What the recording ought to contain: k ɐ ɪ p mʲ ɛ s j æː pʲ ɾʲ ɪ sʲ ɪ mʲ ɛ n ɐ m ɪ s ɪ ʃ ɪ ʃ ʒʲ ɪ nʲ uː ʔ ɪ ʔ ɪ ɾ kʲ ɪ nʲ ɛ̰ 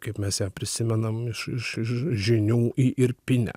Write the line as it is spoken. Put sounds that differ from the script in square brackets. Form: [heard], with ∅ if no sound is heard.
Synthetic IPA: k ɐ ɪ p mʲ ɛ s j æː pʲ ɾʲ ɪ sʲ ɪ mʲ ɛ n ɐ m ɪ [ʃ] ɪ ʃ ɪ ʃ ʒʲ ɪ nʲ uː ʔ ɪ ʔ ɪ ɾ [pʲ] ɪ nʲ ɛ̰